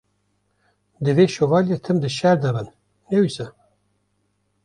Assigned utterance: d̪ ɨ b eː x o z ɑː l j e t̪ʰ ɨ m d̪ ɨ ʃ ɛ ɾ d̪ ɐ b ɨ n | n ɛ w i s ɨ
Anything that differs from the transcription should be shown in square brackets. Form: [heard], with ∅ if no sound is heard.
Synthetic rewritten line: d̪ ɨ [v] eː [ʃ] o [v] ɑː l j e t̪ʰ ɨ m d̪ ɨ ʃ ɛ ɾ d̪ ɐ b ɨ n | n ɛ w i s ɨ